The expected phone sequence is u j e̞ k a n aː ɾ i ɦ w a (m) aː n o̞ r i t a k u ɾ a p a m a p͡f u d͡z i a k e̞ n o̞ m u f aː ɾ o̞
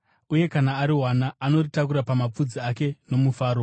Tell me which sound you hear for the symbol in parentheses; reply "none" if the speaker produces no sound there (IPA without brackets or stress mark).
n